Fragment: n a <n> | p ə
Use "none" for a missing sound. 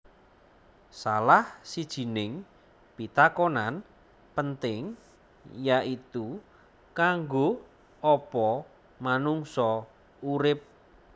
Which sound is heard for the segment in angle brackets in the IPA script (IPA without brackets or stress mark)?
n